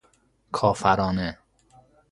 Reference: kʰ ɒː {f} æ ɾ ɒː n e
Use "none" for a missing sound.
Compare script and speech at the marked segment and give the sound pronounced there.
f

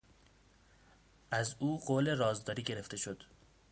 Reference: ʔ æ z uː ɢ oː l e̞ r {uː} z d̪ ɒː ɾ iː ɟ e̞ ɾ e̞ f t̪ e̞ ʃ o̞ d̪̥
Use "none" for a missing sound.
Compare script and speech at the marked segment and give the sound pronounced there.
ɒː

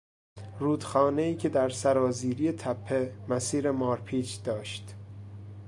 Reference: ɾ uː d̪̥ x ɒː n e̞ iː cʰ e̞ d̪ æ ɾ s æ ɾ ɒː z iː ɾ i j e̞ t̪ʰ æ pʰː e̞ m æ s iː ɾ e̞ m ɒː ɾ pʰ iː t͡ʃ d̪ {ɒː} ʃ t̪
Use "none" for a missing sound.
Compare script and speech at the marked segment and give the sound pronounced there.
ɒː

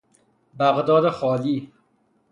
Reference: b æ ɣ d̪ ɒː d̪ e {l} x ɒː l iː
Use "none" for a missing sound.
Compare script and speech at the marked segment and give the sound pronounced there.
none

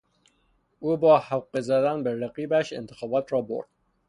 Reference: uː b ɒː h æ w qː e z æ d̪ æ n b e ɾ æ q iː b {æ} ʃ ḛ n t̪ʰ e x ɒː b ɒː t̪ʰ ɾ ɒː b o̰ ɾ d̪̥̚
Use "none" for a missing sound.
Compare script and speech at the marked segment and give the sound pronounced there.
æ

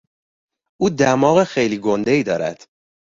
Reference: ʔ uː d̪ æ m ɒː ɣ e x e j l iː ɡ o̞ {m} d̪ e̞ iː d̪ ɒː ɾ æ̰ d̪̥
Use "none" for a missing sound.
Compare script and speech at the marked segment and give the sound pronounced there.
n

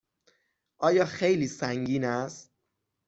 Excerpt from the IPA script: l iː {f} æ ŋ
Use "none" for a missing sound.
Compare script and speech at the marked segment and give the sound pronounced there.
s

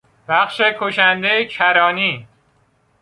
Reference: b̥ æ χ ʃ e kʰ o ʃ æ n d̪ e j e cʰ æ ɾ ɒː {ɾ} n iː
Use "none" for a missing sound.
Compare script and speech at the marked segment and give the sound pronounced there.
none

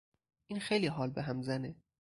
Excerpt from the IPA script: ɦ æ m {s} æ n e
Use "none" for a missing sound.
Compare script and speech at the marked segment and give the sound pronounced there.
z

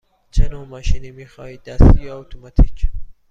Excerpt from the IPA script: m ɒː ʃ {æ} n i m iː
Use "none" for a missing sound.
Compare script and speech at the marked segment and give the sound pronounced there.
i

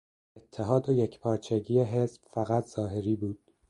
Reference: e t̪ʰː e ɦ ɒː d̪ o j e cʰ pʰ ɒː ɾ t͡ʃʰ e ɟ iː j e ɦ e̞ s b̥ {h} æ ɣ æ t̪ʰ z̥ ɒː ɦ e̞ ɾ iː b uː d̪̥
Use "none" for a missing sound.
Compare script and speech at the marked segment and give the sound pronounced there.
f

